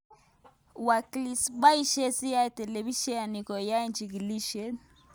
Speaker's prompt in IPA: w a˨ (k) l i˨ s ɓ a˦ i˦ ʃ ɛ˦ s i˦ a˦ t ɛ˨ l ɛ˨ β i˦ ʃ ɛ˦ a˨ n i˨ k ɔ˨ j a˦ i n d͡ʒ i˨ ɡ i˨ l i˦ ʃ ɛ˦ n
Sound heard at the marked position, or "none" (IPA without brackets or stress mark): k